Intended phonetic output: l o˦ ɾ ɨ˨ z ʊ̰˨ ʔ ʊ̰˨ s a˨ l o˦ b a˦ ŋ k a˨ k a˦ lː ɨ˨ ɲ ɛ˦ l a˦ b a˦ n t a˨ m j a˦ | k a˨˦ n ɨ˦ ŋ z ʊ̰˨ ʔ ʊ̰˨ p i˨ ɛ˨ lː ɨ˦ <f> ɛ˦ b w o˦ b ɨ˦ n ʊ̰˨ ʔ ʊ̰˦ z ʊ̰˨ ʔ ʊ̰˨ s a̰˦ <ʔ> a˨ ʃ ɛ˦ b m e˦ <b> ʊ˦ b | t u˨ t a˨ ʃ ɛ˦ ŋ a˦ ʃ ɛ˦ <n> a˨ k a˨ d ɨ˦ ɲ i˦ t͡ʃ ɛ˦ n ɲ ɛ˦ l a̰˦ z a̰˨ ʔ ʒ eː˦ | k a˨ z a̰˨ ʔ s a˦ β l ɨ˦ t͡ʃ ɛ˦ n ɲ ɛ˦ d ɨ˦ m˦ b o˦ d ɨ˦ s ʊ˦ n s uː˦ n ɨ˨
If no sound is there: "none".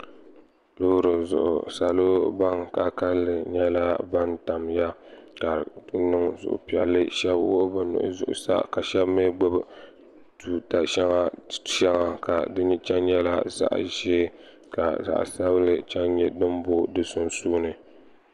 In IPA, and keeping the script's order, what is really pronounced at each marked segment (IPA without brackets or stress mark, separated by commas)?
ʃ, k, ɡ͡b, ŋ